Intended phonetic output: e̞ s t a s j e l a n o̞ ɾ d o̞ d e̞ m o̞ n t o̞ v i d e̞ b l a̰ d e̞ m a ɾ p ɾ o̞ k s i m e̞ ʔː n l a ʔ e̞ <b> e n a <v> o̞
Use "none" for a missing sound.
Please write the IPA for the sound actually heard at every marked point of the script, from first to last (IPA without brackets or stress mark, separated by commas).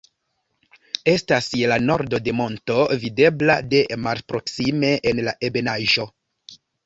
b, ʒ